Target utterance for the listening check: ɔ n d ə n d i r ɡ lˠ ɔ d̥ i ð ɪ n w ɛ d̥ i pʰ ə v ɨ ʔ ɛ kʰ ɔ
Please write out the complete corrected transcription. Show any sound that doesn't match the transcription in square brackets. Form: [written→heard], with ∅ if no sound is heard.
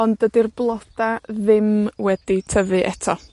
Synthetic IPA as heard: ɔ n d ə [n→∅] d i r [ɡ→b] lˠ ɔ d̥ [i→a] ð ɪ [n→m] w ɛ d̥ i [pʰ→tʰ] ə v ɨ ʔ ɛ [kʰ→tʰ] ɔ